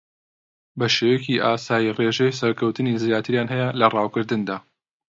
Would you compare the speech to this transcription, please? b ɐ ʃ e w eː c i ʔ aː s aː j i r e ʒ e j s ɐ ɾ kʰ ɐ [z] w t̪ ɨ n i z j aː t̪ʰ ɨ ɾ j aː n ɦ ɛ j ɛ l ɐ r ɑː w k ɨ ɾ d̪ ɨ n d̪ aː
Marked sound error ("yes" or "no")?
yes